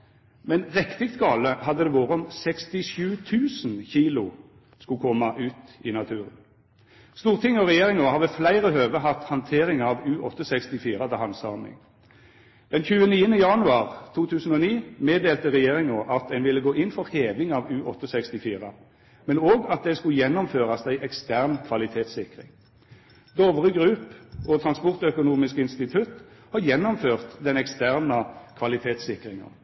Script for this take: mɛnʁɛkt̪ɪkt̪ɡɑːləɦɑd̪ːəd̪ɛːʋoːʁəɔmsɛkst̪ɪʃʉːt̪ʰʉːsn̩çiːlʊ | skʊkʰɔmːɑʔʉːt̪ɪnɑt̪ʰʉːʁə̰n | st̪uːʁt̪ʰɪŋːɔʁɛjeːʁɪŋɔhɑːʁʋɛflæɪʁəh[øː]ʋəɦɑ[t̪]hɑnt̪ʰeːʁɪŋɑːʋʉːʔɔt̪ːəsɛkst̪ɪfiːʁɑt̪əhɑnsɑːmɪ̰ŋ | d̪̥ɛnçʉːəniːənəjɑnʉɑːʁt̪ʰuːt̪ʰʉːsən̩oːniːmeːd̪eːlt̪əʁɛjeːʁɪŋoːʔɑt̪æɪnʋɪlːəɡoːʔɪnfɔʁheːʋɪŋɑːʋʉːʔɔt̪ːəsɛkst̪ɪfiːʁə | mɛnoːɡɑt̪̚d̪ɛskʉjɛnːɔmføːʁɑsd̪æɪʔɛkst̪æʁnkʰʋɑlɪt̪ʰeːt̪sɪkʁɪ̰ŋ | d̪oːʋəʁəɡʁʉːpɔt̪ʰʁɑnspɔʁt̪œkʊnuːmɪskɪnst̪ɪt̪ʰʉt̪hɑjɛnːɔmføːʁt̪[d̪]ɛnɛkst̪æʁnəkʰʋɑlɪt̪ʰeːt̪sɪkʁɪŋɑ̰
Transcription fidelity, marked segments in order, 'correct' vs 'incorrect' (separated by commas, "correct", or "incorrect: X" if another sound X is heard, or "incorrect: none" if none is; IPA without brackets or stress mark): correct, correct, correct